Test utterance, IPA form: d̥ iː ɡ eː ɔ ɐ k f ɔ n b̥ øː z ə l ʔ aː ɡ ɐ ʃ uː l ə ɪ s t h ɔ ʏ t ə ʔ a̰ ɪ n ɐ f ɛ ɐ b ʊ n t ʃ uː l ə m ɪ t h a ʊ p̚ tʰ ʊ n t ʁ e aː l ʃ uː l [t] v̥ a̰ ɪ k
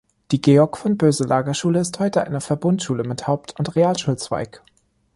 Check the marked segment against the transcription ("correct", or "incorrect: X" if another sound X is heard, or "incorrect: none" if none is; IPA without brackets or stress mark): incorrect: t͡s